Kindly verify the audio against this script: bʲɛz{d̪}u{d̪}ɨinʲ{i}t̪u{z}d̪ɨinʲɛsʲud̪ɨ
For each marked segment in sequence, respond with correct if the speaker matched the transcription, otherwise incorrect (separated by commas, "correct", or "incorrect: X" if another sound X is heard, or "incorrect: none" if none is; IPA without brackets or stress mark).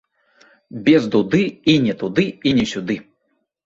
correct, correct, incorrect: ɛ, incorrect: none